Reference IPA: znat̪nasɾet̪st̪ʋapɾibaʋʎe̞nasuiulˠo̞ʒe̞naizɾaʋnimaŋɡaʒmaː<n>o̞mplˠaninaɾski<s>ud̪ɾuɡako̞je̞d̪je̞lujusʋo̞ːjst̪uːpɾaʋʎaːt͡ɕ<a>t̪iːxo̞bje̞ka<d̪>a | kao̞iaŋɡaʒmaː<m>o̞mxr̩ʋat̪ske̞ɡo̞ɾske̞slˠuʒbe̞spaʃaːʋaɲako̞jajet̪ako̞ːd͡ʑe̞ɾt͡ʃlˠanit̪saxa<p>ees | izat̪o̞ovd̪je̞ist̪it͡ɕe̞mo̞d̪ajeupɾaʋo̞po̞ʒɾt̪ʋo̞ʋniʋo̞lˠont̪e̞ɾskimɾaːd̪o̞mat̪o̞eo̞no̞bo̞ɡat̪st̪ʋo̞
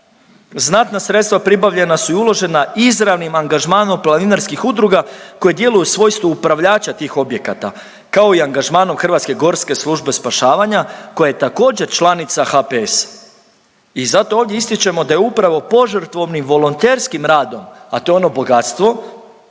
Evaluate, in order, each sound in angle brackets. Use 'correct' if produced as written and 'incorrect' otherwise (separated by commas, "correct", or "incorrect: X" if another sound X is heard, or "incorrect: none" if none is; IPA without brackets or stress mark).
correct, incorrect: x, correct, incorrect: t̪, incorrect: n, correct